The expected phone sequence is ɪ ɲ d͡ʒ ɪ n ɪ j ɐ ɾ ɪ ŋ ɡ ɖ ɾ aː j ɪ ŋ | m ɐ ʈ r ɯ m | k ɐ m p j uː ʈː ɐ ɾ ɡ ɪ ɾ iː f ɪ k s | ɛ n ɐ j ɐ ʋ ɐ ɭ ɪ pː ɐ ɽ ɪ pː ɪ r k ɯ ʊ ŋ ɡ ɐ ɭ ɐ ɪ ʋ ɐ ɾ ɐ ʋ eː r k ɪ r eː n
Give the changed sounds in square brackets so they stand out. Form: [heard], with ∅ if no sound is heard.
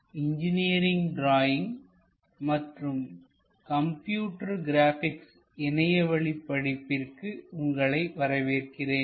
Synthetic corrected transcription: ɪ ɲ d͡ʒ ɪ n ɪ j ɐ ɾ ɪ ŋ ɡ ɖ ɾ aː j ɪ ŋ | m ɐ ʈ r ɯ m | k ɐ m p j uː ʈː ɐ ɾ ɡ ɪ ɾ [aː] f ɪ k s | ɛ n ɐ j ɐ ʋ ɐ ɭ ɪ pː ɐ ɽ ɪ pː ɪ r k ɯ ʊ ŋ ɡ ɐ ɭ ɐ ɪ ʋ ɐ ɾ ɐ ʋ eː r k ɪ r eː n